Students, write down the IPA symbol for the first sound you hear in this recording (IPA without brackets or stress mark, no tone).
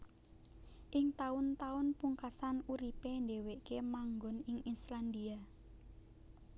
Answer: ʔ